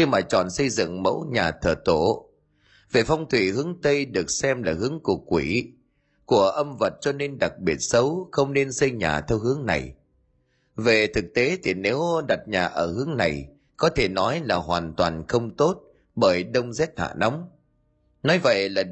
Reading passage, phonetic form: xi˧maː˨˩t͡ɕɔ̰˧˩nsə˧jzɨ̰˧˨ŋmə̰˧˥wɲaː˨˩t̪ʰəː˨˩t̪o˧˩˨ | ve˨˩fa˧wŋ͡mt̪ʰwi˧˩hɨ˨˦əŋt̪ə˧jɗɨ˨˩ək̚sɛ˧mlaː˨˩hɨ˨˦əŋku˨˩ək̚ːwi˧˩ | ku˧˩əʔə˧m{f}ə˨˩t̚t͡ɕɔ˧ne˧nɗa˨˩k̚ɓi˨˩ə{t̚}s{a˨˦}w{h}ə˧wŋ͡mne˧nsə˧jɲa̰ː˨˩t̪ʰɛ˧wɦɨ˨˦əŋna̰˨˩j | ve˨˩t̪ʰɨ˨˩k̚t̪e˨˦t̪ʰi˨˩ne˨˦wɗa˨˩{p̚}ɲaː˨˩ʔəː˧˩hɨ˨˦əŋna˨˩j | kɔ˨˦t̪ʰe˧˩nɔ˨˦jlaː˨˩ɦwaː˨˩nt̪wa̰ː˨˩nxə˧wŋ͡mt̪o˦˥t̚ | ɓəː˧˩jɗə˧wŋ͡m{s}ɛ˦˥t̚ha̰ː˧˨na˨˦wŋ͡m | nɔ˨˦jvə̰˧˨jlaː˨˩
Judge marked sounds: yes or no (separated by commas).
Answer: no, yes, no, no, no, no